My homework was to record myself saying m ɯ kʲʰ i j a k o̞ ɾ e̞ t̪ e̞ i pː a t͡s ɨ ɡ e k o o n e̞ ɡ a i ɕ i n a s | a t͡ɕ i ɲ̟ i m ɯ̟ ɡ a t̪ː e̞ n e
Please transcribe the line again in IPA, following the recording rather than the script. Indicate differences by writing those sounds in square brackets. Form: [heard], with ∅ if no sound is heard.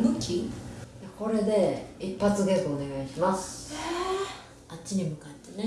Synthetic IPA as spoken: m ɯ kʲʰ i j a k o̞ ɾ e̞ [d̪] e̞ i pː a t͡s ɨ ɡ e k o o n e̞ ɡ a i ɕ i [m] a s | a t͡ɕ i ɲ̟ i m ɯ̟ [k] a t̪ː e̞ n e